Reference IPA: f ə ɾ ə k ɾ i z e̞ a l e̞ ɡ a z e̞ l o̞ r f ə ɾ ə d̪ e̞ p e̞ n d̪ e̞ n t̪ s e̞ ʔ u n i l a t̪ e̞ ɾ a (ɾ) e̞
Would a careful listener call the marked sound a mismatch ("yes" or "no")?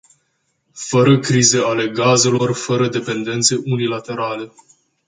yes